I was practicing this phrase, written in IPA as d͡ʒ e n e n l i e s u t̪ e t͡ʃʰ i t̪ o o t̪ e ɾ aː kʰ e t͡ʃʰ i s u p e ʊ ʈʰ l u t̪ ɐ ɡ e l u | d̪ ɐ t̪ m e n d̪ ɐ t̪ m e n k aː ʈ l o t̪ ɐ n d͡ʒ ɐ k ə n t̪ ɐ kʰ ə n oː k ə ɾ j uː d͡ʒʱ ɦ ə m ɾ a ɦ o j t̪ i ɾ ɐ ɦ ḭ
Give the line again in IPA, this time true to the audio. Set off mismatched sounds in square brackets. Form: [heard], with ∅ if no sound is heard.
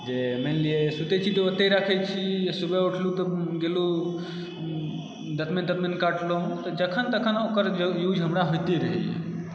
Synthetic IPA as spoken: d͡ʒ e [m] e n l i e s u t̪ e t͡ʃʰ i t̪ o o t̪ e ɾ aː kʰ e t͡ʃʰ i s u [b] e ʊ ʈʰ l u t̪ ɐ ɡ e l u | d̪ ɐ t̪ m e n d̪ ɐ t̪ m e n k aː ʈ l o t̪ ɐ [∅] d͡ʒ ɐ [kʰ] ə n t̪ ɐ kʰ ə n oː k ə ɾ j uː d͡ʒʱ ɦ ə m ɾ a ɦ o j t̪ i ɾ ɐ ɦ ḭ